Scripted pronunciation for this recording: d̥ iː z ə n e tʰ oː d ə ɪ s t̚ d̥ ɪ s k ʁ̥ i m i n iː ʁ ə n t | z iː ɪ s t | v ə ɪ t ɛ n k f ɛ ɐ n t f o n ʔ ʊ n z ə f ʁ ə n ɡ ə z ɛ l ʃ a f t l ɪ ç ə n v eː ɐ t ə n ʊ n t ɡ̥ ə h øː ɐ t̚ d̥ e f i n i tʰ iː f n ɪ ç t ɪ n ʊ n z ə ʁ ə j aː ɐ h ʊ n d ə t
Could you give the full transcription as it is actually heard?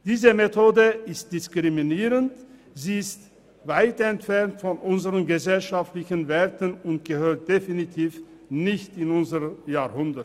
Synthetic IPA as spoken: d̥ iː z ə m e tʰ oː d ə ɪ s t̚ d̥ ɪ s k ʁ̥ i m i n iː ʁ ə n t | z iː ɪ s t | v a ɪ t ɛ n t f ɛ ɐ n t f ɔ n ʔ ʊ n z ə ʁ ə n ɡ ə z ɛ l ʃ a f t l ɪ ç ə n v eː ɐ t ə n ʊ n t ɡ̥ ə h øː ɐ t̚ d̥ e f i n i tʰ iː f n ɪ ç t ɪ n ʊ n z ə ʁ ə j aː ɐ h ʊ n d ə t